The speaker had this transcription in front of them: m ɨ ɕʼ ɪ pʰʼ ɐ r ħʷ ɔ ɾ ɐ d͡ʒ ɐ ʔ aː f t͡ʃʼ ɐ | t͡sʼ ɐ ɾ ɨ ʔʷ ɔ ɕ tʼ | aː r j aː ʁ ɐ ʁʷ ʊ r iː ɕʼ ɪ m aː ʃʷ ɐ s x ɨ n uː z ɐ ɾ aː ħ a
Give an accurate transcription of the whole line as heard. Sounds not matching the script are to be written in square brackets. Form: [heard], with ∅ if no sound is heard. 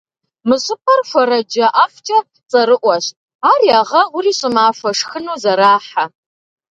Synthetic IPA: m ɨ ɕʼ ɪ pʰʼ ɐ r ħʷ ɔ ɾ ɐ d͡ʒ ɐ ʔ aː f t͡ʃʼ ɐ | t͡sʼ ɐ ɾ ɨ ʔʷ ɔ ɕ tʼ | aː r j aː ʁ ɐ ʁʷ ʊ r iː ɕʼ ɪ m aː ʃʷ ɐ [ʂ] x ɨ n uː z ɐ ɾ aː ħ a